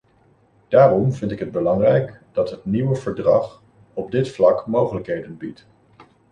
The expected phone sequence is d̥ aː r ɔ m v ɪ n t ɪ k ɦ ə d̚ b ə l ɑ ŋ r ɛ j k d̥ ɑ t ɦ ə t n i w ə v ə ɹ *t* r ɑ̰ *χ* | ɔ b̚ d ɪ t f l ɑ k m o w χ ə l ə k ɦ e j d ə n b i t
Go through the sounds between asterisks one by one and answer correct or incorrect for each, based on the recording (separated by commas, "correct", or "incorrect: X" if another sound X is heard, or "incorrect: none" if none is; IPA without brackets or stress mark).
incorrect: d, correct